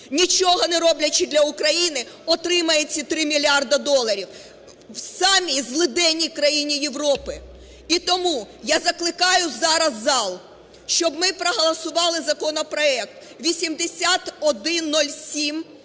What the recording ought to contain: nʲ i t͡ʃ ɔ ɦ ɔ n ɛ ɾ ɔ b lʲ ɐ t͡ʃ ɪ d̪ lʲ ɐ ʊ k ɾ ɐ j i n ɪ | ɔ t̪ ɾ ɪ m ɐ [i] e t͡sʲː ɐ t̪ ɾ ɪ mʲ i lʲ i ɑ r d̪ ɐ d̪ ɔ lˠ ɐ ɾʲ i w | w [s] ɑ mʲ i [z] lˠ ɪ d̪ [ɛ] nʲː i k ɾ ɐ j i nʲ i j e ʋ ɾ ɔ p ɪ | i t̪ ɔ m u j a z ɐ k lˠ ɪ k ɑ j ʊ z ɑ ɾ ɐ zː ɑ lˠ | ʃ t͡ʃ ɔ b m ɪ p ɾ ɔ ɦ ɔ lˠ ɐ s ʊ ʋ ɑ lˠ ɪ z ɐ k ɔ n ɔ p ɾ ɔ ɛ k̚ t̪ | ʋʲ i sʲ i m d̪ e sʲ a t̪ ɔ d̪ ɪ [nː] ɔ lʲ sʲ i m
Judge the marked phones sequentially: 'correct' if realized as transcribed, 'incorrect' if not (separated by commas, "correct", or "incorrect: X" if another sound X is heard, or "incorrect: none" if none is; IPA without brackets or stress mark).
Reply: incorrect: j, correct, correct, correct, correct